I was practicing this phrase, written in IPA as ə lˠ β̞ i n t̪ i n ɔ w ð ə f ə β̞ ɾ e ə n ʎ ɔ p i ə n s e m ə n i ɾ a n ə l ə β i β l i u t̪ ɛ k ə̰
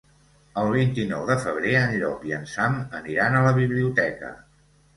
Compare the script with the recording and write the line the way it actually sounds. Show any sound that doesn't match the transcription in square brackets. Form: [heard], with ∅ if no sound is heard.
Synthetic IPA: ə lˠ β̞ i n t̪ i n ɔ w ð ə f ə β̞ ɾ e ə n ʎ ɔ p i ə n s [a] m ə n i ɾ a n ə l ə β i β l i u t̪ ɛ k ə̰

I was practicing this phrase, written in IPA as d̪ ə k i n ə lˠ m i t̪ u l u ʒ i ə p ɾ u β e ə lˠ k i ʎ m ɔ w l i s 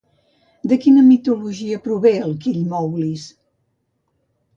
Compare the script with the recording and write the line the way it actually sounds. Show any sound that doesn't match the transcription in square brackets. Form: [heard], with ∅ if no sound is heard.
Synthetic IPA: d̪ ə k i n ə [∅] m i t̪ u l u ʒ i ə p ɾ u β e ə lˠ k i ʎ m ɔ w l i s

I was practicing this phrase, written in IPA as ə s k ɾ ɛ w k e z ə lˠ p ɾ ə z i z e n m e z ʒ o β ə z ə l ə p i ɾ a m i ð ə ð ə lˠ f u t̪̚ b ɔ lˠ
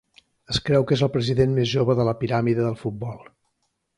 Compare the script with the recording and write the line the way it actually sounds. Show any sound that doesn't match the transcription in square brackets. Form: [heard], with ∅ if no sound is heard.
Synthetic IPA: ə s k ɾ ɛ w k e z ə lˠ p ɾ ə z i [ð] e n m e z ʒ o β ə [ð] ə l ə p i ɾ a m i ð ə ð ə lˠ f u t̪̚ b ɔ lˠ

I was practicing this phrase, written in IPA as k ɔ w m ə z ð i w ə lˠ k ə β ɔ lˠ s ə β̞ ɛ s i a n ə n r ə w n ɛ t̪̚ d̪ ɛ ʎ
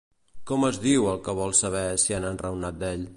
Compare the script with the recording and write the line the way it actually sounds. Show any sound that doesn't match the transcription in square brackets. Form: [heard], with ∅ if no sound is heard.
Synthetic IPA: k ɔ [∅] m ə z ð i w ə lˠ k ə β ɔ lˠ s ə β̞ ɛ s i a n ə n r ə w n [a] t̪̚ d̪ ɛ ʎ

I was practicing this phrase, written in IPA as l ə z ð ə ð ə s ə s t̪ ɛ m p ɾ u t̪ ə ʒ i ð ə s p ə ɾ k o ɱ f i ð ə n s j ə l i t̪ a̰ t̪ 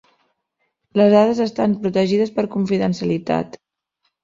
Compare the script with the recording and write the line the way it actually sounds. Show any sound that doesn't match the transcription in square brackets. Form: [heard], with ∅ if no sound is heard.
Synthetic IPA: l ə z ð [a] ð ə [z] ə s t̪ [a] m p ɾ u t̪ ə ʒ i ð ə s p ə ɾ k [u] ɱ f i ð ə n s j ə l i t̪ a̰ t̪

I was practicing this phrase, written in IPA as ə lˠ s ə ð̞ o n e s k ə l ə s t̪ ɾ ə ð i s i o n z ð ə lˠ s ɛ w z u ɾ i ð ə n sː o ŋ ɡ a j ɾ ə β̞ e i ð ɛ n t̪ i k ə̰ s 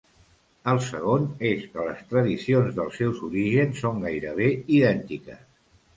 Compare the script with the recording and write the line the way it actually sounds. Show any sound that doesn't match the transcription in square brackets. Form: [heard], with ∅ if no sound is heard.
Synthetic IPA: ə lˠ s ə [ɣ̞] o n e s k ə l ə s t̪ ɾ ə ð i s i o n z ð ə lˠ s ɛ w z u ɾ i [ʒ] ə n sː o ŋ ɡ a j ɾ ə β̞ e i ð ɛ n t̪ i k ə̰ s

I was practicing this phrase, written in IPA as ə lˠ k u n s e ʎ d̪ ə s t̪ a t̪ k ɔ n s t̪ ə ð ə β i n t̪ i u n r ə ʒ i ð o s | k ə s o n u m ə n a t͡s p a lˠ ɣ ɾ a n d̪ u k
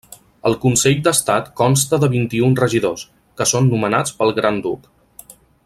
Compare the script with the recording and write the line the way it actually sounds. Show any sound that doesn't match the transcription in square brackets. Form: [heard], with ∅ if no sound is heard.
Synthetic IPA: ə lˠ k u n s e ʎ d̪ ə s t̪ a t̪ k ɔ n s t̪ ə ð ə β i n t̪ i u n r ə ʒ i ð o s | k ə s o [nː] u m ə n a t͡s p [ə] lˠ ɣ ɾ a n d̪ u k

